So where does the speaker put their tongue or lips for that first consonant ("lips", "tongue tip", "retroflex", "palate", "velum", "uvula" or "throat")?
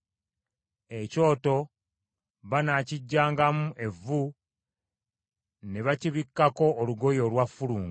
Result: palate